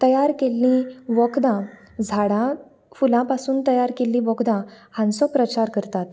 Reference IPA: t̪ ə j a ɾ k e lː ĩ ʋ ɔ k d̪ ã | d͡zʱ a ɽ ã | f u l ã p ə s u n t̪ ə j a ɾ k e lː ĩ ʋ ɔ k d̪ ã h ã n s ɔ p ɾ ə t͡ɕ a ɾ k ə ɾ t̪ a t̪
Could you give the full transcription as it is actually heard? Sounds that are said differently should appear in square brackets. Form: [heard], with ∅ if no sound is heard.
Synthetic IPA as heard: t̪ ə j a ɾ k e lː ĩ ʋ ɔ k d̪ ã | d͡zʱ a ɽ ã | f u l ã p [a] s [uː] n t̪ ə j a ɾ k e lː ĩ ʋ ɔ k d̪ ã h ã n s ɔ p ɾ ə t͡ɕ a ɾ k ə ɾ t̪ a t̪